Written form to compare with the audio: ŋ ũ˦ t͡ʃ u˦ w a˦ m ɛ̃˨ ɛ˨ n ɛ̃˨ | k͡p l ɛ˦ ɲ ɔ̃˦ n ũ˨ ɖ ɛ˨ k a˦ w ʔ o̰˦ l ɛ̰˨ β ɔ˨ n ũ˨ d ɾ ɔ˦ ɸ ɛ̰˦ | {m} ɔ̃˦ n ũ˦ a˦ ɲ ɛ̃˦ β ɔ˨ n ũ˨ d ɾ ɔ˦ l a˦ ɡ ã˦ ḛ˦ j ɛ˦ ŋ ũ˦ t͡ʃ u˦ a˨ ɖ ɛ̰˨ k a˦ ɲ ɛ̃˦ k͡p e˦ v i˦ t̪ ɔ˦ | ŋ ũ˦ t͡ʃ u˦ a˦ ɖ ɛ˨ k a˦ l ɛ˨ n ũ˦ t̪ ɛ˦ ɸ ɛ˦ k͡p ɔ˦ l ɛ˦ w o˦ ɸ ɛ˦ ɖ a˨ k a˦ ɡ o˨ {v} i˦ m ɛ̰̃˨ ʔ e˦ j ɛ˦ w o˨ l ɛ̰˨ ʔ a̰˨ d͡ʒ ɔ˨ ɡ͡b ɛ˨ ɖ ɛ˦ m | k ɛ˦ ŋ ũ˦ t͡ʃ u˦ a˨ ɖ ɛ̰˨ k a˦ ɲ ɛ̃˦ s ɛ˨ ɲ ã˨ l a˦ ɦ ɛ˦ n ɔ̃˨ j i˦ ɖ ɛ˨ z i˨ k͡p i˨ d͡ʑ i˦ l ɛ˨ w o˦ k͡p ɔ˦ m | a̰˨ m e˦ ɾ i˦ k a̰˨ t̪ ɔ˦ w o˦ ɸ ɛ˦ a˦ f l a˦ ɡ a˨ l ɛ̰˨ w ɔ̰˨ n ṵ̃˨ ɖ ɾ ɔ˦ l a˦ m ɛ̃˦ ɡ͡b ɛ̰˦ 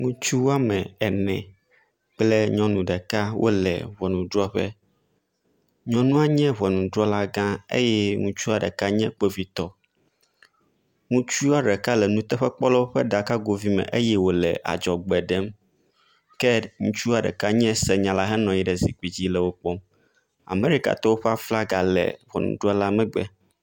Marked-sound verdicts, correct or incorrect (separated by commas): incorrect, correct